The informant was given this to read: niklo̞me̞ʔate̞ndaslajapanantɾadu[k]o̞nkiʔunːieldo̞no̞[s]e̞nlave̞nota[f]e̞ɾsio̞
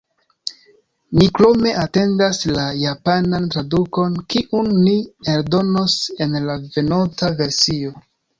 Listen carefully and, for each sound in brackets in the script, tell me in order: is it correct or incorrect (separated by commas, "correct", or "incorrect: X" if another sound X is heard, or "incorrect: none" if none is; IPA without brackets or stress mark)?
correct, correct, incorrect: v